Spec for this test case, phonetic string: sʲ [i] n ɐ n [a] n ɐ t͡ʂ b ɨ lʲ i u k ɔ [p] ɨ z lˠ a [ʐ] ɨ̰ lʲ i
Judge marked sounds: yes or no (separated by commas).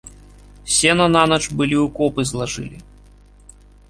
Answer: no, yes, yes, yes